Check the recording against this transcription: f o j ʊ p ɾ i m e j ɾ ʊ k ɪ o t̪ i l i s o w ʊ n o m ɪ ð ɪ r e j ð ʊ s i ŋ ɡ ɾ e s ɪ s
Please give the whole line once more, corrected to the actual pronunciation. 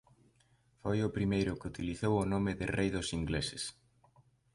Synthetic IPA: f o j ʊ p ɾ i m e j ɾ ʊ k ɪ u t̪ i l i θ o w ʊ n o m ɪ ð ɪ r e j ð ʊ s i ŋ ɡ l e s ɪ s